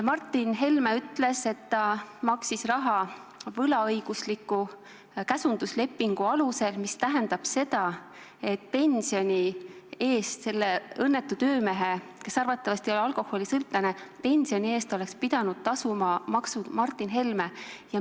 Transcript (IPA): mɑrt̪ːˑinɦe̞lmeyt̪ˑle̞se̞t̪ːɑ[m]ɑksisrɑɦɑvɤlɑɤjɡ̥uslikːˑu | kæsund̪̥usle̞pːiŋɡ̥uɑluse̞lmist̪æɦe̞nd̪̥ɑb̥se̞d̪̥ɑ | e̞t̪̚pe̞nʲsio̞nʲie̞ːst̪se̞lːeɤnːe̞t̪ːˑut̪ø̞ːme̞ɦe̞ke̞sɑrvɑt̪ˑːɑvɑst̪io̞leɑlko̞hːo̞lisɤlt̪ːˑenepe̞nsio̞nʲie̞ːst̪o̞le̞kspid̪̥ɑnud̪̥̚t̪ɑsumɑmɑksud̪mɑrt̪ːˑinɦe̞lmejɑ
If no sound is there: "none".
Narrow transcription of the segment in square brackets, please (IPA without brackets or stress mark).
m